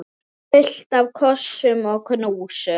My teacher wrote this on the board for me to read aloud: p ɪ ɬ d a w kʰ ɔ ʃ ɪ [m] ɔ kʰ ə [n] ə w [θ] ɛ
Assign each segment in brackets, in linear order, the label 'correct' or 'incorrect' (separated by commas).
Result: correct, correct, incorrect